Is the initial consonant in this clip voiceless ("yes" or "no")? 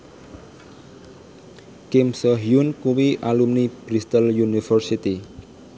yes